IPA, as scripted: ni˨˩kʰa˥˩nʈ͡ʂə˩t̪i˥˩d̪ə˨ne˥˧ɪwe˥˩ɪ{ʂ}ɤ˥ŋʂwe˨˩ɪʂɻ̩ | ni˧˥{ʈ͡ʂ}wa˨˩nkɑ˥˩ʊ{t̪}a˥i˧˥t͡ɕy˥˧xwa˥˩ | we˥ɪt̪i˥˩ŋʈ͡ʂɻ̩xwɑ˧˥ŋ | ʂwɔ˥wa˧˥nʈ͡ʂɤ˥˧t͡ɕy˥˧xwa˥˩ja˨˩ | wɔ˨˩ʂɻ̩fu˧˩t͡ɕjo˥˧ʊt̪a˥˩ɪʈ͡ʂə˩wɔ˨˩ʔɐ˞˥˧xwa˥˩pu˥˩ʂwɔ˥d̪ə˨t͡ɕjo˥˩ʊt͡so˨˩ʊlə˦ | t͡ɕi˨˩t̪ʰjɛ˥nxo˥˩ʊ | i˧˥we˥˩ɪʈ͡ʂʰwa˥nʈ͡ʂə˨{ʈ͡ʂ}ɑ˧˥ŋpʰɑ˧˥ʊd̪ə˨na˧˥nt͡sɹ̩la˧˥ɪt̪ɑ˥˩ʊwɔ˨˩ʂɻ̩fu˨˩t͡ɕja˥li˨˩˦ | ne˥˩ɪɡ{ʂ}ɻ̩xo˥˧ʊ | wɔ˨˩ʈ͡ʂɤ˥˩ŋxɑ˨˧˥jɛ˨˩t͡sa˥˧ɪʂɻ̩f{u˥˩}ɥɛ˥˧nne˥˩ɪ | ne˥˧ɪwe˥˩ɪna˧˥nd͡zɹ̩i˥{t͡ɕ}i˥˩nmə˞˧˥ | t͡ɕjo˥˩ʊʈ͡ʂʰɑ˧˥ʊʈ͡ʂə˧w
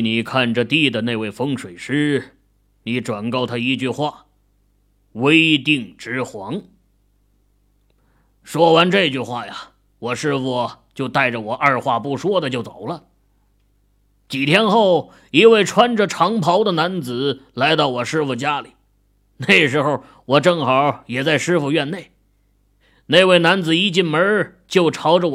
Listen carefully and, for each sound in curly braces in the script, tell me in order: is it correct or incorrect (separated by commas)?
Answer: incorrect, correct, incorrect, incorrect, correct, incorrect, correct